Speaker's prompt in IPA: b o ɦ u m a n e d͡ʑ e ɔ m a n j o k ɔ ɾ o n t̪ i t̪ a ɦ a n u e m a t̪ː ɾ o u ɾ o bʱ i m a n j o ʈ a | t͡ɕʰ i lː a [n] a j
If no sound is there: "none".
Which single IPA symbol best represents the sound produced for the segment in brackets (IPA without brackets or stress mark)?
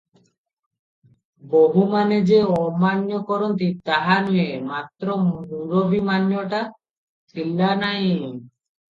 n